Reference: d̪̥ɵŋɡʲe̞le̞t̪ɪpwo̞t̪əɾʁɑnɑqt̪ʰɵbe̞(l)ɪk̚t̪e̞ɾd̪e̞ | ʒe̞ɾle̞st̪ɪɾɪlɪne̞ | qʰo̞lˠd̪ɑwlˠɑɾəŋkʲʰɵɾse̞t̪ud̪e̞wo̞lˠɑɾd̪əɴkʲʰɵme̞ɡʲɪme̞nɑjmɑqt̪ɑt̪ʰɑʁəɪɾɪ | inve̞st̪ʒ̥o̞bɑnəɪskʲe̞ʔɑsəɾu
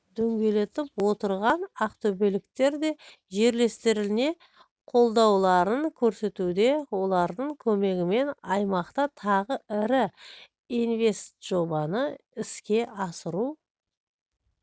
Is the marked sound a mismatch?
no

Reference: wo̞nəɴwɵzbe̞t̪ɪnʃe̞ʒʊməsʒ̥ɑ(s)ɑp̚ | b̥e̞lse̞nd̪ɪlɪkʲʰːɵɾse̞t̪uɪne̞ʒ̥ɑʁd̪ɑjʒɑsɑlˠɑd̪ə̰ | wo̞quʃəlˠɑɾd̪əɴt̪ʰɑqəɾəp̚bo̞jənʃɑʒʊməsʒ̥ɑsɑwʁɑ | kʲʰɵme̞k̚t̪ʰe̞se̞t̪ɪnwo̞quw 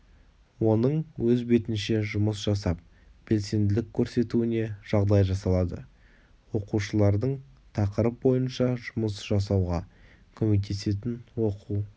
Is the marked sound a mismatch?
no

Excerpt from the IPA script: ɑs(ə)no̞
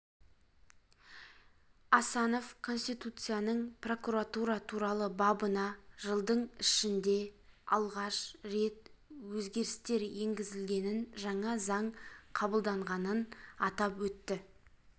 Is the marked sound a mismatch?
yes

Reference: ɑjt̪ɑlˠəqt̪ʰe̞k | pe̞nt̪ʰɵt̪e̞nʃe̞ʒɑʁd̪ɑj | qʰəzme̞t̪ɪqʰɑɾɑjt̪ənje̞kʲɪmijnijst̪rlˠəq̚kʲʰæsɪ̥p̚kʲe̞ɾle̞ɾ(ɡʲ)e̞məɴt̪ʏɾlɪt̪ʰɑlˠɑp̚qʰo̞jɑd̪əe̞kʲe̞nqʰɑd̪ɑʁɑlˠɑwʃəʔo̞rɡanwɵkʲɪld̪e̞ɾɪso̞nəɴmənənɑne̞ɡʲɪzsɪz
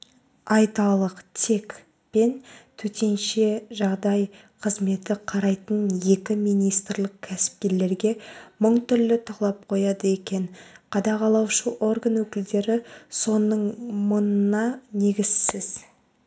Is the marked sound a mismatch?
no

